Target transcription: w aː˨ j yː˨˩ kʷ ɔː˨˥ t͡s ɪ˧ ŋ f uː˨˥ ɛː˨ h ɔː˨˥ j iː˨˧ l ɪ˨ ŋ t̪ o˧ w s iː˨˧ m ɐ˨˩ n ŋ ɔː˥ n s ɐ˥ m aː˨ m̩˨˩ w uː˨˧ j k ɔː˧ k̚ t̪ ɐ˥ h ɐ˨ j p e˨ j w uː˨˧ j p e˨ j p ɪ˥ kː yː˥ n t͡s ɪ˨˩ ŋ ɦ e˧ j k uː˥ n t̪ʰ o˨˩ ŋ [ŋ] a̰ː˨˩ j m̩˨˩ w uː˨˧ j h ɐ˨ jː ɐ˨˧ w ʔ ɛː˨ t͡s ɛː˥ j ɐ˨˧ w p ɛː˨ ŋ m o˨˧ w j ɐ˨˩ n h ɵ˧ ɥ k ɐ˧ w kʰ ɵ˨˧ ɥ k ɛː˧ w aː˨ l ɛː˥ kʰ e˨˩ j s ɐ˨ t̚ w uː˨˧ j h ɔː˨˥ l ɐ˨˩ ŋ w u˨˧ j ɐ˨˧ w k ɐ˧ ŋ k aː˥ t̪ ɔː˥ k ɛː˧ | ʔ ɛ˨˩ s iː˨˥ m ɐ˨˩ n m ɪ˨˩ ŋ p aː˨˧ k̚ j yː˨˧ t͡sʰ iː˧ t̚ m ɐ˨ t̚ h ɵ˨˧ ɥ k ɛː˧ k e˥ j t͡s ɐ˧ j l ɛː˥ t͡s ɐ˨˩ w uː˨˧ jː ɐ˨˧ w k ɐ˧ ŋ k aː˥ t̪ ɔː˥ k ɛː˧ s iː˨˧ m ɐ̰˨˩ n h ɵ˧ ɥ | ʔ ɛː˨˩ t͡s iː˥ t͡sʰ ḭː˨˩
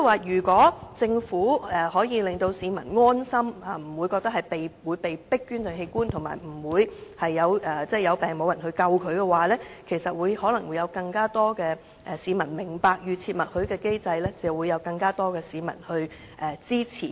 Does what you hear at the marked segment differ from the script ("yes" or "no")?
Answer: yes